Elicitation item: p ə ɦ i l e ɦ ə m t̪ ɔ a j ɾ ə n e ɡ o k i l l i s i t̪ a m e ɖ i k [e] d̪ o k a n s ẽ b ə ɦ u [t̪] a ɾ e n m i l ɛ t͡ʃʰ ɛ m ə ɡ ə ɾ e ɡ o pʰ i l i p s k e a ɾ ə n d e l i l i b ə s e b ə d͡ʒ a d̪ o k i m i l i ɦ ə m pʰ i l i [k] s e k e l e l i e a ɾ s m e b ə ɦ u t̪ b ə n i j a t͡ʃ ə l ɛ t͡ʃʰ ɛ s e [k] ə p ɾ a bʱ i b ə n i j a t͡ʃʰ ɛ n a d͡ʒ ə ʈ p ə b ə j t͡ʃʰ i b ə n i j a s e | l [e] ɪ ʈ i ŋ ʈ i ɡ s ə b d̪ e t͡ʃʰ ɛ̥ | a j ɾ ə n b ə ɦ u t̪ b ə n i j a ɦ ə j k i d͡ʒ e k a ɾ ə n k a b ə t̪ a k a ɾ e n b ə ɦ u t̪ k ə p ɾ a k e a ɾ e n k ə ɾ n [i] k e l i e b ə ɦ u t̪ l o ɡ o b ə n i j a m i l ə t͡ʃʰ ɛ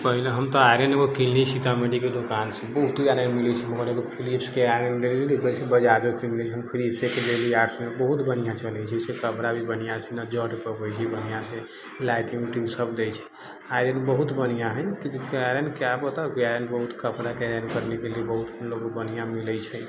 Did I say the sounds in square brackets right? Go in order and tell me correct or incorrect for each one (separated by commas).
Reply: correct, correct, incorrect, correct, incorrect, incorrect